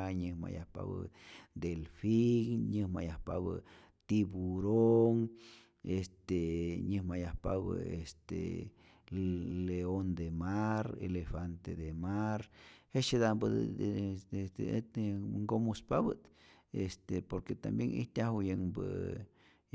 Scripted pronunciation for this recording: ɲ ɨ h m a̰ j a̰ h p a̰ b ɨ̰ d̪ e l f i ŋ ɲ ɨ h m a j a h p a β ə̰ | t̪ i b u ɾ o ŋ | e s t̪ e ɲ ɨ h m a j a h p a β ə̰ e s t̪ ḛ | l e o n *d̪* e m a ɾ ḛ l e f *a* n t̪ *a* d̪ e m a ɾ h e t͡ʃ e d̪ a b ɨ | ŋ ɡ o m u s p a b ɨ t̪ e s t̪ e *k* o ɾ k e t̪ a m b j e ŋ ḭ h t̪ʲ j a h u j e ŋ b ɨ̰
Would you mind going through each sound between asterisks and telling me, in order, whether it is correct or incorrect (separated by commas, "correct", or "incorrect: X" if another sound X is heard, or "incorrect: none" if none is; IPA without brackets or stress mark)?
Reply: correct, correct, incorrect: e, incorrect: p